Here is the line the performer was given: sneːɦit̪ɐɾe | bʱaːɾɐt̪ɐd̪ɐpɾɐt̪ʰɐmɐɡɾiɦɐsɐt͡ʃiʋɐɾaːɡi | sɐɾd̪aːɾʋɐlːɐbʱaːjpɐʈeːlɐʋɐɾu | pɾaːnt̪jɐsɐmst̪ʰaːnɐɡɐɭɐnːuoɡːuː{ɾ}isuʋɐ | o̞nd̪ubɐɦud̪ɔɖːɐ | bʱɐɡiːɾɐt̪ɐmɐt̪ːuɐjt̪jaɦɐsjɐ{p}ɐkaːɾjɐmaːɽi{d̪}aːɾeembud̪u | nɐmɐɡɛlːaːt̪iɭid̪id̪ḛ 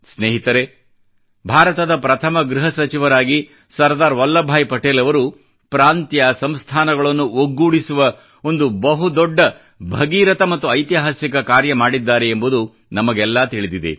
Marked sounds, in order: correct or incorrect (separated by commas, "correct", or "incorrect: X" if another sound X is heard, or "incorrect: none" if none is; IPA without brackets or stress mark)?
incorrect: ɽ, incorrect: k, incorrect: d̪ː